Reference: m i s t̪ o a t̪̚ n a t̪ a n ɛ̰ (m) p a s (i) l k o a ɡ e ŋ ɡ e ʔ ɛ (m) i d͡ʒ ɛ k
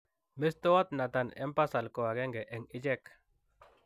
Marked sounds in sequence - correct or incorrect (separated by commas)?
correct, incorrect, incorrect